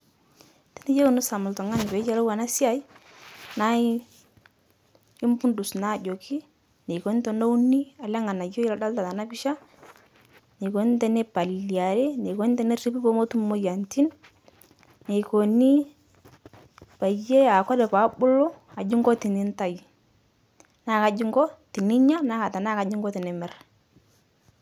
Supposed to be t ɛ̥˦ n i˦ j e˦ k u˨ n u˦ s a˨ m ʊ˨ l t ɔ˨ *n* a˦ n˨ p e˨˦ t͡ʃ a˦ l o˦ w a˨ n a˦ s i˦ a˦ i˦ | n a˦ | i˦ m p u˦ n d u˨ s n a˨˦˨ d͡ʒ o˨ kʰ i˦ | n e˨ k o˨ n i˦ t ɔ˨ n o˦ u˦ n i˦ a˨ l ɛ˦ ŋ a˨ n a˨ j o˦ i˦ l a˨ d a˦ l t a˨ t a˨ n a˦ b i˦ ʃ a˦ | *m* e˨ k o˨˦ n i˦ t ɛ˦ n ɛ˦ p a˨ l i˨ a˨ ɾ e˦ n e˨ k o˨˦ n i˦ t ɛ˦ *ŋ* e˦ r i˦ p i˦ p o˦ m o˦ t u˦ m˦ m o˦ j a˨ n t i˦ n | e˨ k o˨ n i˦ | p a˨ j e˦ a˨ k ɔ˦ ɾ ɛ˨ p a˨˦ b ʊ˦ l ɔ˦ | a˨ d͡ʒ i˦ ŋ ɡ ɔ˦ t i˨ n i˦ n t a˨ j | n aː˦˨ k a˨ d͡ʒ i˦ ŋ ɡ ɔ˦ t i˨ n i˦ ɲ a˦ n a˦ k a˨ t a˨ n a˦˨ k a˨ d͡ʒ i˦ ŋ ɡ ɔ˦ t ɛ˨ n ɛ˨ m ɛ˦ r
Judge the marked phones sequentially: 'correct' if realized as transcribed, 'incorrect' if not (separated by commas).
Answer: incorrect, incorrect, incorrect